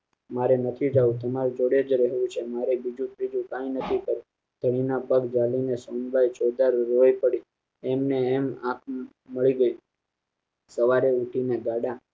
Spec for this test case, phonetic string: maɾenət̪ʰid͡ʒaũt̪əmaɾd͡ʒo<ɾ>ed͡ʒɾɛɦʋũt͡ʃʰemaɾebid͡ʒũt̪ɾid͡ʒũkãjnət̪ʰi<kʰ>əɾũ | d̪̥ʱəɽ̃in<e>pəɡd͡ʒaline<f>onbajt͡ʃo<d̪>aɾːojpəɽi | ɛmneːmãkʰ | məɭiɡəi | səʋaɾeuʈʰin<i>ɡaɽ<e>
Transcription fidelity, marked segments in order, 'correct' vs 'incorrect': incorrect, incorrect, incorrect, incorrect, correct, incorrect, incorrect

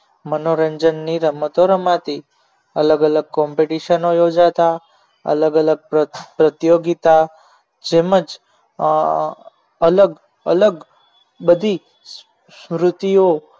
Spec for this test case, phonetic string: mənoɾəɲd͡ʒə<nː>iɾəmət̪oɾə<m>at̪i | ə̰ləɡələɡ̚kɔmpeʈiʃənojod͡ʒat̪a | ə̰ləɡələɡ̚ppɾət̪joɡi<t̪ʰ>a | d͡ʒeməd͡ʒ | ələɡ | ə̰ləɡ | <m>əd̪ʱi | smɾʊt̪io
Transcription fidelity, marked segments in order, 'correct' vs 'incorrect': correct, correct, incorrect, incorrect

